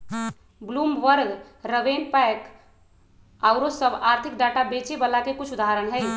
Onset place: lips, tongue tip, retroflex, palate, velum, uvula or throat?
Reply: lips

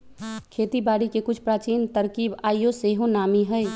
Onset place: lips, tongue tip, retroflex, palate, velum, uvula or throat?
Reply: velum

